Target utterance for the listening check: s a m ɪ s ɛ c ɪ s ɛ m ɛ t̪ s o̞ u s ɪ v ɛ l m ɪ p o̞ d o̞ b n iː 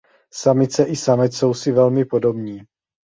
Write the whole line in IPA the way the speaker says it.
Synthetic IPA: s a m ɪ t͡s ɛ ʔ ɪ s a m ɛ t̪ s o̞ w s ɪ v ɛ l m ɪ p o̞ d o̞ b ɲ iː